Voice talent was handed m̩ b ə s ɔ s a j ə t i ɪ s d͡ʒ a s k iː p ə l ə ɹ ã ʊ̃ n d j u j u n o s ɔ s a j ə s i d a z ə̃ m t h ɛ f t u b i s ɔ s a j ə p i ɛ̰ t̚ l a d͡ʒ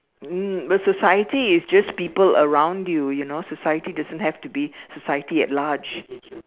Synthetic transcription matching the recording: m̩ b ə s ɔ s a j ə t i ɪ s d͡ʒ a s p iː p ə l ə ɹ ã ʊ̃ n d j u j u n o s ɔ s a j ə t i d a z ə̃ n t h ɛ f t u b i s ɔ s a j ə t i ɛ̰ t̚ l a d͡ʒ